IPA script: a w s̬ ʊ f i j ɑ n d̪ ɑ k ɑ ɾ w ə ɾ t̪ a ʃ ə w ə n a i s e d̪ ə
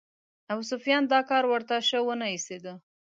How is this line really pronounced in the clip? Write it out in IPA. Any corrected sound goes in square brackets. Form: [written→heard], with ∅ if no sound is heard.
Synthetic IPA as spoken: a w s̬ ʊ f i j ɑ n d̪ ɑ k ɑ ɾ w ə ɾ t̪ a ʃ ə w ə n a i s e d̪ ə